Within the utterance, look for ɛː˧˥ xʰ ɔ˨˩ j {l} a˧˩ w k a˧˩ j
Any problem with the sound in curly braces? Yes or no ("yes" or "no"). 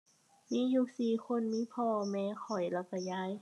no